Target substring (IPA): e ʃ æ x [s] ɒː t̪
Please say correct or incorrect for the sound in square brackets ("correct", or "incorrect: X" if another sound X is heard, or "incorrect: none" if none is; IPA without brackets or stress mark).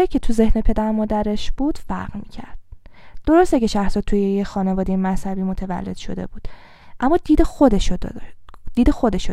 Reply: correct